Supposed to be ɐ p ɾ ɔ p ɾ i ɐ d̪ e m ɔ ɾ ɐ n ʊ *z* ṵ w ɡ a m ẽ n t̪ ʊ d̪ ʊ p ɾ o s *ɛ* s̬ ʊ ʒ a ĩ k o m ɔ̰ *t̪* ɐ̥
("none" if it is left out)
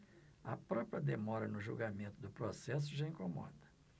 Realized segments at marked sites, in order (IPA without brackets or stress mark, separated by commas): ʒ, ɛ, d̪